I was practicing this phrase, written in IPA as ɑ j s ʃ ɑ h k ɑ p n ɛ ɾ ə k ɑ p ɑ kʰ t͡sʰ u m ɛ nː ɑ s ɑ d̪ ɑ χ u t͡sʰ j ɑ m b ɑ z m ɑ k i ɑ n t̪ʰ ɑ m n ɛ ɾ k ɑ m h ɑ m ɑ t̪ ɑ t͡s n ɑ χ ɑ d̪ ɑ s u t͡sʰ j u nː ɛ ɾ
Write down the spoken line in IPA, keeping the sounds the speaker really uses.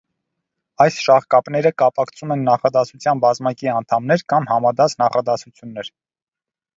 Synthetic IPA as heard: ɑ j s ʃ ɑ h k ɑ p n ɛ ɾ ə k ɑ p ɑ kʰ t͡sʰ u m ɛ nː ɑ χ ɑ d̪ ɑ s u t͡sʰ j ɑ n b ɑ z m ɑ k i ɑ n t̪ʰ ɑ m n ɛ ɾ k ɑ m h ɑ m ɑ d̪ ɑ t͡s n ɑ χ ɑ d̪ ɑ s u t͡sʰ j u nː ɛ ɾ